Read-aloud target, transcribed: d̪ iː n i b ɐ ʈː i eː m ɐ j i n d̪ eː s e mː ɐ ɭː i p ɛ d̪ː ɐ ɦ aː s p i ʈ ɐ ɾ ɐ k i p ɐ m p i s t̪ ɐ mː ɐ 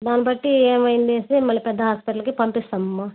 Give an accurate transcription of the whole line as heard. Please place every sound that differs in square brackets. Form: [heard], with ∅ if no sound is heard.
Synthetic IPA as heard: d̪ [aː] n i b ɐ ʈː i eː m ɐ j i n d̪ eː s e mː ɐ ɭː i p ɛ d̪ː ɐ ɦ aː s p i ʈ ɐ [l] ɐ k i p ɐ m p i s t̪ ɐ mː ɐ

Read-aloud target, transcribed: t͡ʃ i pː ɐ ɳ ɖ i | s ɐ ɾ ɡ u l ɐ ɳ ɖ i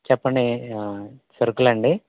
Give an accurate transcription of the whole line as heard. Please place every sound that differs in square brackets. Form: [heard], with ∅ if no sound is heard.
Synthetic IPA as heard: t͡ʃ [ɛ] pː ɐ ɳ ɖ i | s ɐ ɾ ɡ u l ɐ ɳ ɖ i

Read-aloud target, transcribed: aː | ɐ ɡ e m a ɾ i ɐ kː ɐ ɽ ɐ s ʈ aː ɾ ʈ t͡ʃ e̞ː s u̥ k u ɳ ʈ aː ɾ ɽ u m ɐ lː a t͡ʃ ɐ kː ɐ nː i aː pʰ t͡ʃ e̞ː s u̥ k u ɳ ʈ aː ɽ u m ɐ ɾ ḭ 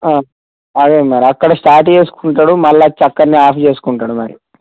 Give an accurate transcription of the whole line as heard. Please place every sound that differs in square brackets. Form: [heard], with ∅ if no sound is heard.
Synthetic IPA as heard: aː | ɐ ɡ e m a ɾ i ɐ kː ɐ ɽ ɐ s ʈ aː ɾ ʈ t͡ʃ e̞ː s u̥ k u ɳ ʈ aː [∅] ɽ u m ɐ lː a t͡ʃ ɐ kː ɐ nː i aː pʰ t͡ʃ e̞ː s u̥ k u ɳ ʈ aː ɽ u m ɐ ɾ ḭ

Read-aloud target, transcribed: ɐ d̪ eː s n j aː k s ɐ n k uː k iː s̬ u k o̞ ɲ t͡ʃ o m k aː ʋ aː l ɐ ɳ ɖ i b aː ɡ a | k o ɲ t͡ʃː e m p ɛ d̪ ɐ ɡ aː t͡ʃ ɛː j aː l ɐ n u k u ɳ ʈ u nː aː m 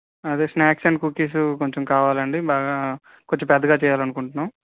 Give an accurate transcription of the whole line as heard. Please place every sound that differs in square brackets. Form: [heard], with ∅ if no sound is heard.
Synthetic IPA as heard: ɐ d̪ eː s n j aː k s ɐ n k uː k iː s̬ u k o̞ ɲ t͡ʃ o m k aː ʋ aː l ɐ ɳ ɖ i b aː ɡ a | k o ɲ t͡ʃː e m p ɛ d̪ ɐ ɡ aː t͡ʃ ɛː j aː l ɐ n u k u ɳ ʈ u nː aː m

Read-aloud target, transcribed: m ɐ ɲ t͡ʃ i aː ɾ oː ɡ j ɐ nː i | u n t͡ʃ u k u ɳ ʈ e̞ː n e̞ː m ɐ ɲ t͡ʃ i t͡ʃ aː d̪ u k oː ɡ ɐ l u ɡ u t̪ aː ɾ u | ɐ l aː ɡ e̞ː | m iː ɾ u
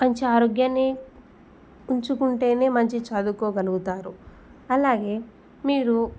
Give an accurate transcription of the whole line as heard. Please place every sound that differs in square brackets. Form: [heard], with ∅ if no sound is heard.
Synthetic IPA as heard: m ɐ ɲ t͡ʃ i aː ɾ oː ɡ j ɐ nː i | u [ɲ] t͡ʃ u k u ɳ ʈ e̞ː n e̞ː m ɐ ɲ t͡ʃ i t͡ʃ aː d̪ u k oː ɡ ɐ l u ɡ u t̪ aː ɾ u | ɐ l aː ɡ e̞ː | m iː ɾ u

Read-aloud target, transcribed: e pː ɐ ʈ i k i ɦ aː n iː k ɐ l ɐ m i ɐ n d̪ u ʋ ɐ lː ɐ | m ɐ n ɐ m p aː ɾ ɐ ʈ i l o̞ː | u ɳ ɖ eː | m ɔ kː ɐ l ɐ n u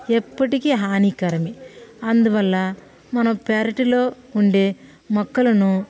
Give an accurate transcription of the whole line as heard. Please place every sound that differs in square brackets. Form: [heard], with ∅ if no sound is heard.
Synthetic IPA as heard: e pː ɐ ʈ i k i ɦ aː n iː k ɐ [ɾ] ɐ m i ɐ n d̪ u ʋ ɐ lː ɐ | m ɐ n ɐ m p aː ɾ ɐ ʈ i l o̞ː | u ɳ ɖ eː | m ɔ kː ɐ l ɐ n u

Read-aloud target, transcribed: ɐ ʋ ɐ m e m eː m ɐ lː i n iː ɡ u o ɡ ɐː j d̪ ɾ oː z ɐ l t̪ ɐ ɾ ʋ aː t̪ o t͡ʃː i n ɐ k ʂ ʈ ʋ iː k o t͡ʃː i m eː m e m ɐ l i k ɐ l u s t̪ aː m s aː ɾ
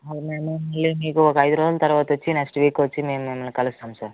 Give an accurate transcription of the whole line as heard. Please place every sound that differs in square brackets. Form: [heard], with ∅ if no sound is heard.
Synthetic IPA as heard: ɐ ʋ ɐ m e m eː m ɐ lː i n iː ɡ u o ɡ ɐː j d̪ ɾ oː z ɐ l t̪ ɐ ɾ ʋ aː t̪ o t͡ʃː i n ɐ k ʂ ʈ ʋ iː k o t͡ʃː i m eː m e m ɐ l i k ɐ l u s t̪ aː m s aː ɾ

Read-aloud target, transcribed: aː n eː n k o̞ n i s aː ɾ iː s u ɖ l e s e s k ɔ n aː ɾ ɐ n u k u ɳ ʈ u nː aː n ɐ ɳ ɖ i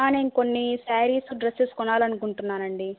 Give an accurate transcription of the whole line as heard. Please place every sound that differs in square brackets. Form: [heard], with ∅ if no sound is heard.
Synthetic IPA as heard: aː n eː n k o̞ [nː] i s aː ɾ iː s u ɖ [ɾ] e s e s k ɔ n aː [l] ɐ n u k u ɳ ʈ u nː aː n ɐ ɳ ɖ i

